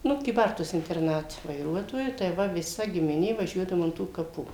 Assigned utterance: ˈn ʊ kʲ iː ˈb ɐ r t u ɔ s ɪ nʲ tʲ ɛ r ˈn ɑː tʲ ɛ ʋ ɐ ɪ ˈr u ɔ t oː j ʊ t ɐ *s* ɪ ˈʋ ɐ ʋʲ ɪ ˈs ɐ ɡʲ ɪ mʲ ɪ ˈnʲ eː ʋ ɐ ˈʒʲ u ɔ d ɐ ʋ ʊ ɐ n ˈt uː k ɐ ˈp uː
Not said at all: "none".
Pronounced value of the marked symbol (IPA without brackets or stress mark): none